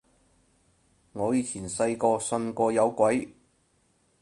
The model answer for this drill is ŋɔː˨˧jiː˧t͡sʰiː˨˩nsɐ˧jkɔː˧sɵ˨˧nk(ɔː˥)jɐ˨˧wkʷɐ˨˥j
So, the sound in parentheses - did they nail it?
no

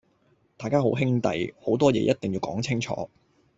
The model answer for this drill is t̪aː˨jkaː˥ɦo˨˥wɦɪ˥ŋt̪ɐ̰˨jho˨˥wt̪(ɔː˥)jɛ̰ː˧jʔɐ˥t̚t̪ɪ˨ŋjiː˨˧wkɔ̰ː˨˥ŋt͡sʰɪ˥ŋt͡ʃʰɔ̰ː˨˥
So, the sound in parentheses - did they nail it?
yes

